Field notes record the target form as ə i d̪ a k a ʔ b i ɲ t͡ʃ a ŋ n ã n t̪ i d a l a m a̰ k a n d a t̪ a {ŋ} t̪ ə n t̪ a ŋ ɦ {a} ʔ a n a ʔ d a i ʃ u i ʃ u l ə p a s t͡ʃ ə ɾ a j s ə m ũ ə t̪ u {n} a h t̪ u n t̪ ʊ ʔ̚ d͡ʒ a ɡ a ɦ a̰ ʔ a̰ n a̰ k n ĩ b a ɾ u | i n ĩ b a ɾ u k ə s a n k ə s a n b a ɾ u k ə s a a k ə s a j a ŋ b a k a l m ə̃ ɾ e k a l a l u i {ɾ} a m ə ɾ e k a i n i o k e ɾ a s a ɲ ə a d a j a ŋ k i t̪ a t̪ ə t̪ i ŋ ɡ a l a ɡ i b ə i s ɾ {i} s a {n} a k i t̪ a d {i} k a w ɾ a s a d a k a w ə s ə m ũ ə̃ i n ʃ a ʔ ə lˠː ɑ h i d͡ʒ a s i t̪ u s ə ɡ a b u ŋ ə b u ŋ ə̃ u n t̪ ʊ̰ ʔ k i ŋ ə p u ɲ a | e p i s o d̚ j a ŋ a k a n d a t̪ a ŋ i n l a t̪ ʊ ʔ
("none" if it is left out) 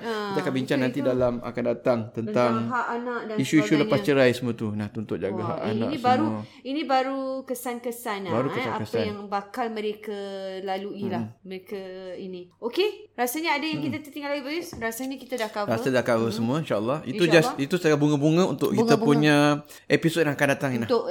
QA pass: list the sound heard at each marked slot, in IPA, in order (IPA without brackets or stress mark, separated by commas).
ŋ, a, n, l, a, ɲ, a